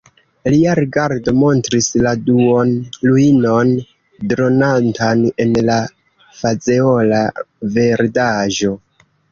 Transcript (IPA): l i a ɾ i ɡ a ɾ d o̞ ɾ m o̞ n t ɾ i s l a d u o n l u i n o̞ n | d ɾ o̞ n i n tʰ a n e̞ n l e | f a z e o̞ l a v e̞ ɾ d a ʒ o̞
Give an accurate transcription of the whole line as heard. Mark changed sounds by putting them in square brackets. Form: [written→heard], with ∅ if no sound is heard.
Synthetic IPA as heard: l i a ɾ i ɡ a ɾ d o̞ [ɾ→∅] m o̞ n t ɾ i s l a d u o n l u i n o̞ n | d ɾ o̞ n [i→a] n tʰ a n e̞ n l [e→a] | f a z e o̞ l a v e̞ ɾ d a ʒ o̞